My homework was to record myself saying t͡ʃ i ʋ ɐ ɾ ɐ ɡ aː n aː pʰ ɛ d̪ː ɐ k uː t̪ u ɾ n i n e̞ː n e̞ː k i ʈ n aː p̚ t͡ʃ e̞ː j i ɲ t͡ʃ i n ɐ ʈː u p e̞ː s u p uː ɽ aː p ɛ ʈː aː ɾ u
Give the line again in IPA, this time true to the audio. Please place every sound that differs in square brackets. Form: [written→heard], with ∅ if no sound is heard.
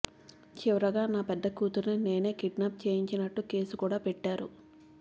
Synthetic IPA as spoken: t͡ʃ i ʋ ɐ ɾ ɐ ɡ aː n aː [pʰ→p] ɛ d̪ː ɐ k uː t̪ u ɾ n i n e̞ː n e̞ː k i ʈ n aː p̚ t͡ʃ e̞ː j i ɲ t͡ʃ i n ɐ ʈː u [p→k] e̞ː s u [p→k] uː ɽ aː p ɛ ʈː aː ɾ u